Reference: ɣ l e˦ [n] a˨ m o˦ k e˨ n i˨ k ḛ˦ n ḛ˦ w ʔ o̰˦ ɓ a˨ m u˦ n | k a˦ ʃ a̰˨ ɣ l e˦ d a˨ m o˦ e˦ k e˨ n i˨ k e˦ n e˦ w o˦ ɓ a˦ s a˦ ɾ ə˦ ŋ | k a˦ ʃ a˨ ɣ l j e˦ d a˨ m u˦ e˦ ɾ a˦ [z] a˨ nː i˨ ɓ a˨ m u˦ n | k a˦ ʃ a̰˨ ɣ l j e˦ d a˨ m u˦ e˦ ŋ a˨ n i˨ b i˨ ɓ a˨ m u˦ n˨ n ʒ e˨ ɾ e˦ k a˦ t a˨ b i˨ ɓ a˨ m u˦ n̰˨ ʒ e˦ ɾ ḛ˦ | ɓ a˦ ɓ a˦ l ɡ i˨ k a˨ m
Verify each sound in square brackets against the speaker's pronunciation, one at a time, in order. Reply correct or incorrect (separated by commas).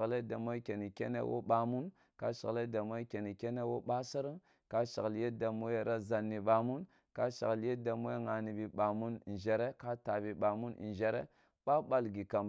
incorrect, correct